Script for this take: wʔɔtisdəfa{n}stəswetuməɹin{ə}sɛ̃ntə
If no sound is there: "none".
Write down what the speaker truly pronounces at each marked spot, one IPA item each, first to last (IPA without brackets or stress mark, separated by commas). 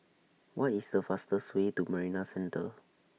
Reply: none, a